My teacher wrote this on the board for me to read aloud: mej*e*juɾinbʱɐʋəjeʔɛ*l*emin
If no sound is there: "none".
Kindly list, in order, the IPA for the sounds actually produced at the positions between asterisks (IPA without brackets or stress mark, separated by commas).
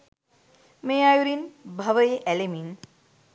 a, l